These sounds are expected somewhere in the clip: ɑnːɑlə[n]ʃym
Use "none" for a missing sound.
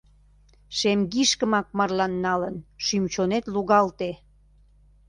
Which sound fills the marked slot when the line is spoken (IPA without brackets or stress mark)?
n